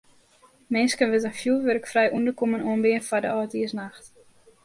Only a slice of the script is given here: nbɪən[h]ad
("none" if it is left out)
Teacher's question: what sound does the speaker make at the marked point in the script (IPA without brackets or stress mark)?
f